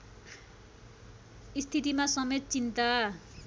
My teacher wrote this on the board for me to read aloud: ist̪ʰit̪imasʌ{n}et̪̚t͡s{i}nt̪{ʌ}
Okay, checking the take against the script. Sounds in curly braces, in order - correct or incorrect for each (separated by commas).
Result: incorrect, correct, incorrect